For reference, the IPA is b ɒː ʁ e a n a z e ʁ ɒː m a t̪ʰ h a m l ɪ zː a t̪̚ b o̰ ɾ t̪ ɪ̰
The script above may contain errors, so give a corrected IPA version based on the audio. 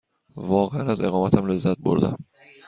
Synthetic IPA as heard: v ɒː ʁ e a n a z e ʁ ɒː m a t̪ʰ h a m l ɪ zː a t̪̚ b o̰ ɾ d̪ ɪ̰

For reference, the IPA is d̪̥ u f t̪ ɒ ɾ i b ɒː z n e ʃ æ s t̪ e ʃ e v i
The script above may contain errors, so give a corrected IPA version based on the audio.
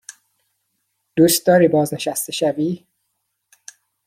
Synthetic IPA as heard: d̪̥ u s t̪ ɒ ɾ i b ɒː z n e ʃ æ s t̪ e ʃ æ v i

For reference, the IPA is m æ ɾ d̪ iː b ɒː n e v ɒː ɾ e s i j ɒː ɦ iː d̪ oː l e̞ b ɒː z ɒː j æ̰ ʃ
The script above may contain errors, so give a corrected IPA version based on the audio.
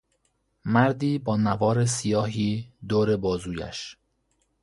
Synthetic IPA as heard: m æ ɾ d̪ iː b ɒː n æ v ɒː ɾ e s i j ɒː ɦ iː d̪ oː ɾ e̞ b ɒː z uː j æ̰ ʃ

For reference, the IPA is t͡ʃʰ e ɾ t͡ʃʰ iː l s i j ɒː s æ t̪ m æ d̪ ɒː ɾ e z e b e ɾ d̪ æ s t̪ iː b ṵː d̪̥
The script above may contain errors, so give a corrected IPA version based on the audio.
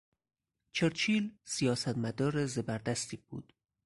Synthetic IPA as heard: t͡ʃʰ e ɾ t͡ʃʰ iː l s i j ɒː s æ t̪ m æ d̪ ɒː ɾ e z e b æ ɾ d̪ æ s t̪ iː b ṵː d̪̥

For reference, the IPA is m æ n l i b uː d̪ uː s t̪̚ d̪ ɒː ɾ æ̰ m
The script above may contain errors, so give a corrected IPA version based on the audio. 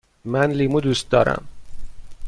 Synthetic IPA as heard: m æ n l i m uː d̪ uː s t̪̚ d̪ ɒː ɾ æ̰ m

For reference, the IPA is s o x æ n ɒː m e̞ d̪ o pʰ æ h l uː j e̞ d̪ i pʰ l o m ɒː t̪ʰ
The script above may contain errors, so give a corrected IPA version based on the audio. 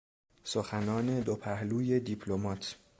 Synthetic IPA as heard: s o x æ n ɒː n e̞ d̪ o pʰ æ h l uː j e̞ d̪ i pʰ l o m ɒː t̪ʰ

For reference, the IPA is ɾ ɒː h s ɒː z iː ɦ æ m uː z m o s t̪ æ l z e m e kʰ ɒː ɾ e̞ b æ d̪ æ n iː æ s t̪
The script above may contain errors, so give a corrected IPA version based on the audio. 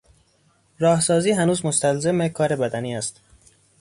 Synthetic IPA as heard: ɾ ɒː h s ɒː z iː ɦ æ n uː z m o s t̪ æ l z e m e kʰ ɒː ɾ e̞ b æ d̪ æ n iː æ s t̪

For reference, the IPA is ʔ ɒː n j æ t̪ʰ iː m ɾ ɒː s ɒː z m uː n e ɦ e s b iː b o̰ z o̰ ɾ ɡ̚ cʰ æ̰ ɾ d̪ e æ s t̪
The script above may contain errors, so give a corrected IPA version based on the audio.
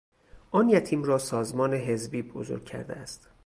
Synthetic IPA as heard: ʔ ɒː n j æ t̪ʰ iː m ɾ ɒː s ɒː z m ɒː n e ɦ e z b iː b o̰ z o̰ ɾ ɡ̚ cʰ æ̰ ɾ d̪ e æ s t̪

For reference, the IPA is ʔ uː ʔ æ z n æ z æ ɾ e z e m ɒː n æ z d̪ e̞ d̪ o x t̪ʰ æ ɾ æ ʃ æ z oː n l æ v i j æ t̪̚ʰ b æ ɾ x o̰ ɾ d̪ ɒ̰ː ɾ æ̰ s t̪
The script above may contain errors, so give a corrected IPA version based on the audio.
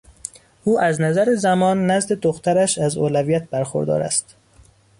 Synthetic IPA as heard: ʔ uː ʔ æ z n æ z æ ɾ e z æ m ɒː nː æ z d̪ e̞ d̪ o x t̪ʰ æ ɾ æ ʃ æ z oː l æ v i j æ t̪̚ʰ b æ ɾ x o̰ ɾ d̪ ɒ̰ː ɾ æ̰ s t̪

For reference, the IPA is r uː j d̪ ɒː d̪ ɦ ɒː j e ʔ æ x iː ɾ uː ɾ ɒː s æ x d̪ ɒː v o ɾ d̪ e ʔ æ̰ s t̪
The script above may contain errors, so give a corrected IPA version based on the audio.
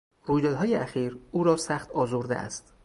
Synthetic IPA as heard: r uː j d̪ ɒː d̪ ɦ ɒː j e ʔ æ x iː ɾ uː ɾ ɒː s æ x t̪ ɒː z o ɾ d̪ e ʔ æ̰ s t̪

